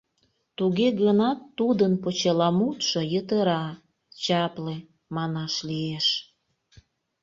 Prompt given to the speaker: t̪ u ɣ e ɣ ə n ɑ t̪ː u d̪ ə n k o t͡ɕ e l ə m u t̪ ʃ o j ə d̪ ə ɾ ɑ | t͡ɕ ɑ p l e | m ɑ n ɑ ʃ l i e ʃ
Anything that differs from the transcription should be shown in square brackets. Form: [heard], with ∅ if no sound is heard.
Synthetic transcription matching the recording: t̪ u ɣ e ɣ ə n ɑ t̪ː u d̪ ə n [p] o t͡ɕ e l [ɑ] m u t̪ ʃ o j ə [t̪] ə ɾ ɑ | t͡ɕ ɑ p l e | m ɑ n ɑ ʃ l i e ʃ